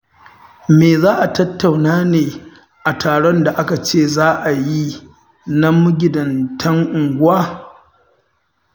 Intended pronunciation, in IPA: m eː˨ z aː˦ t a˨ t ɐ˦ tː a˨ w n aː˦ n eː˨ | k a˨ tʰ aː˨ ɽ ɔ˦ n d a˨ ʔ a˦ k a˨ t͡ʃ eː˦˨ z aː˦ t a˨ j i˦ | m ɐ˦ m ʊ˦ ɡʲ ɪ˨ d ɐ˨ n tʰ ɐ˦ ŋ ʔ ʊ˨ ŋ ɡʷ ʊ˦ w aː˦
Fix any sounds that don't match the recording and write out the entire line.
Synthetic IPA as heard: m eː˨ z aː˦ ʔ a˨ t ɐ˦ tː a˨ w n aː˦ n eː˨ | ʔ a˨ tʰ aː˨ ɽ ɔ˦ n d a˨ ʔ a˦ k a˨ t͡ʃ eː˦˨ z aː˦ ʔ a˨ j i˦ | n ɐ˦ m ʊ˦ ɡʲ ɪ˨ d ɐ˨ n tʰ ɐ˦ ŋ ʔ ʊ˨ ŋ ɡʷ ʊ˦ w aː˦